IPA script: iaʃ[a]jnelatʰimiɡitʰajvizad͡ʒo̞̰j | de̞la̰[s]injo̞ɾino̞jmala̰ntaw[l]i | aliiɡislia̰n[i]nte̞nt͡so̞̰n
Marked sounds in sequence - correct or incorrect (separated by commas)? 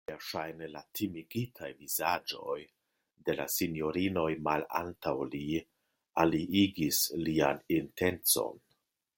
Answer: correct, correct, correct, correct